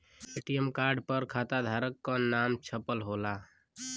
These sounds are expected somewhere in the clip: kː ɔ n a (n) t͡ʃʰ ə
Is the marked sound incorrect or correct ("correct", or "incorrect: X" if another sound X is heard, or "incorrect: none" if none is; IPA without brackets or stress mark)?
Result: incorrect: m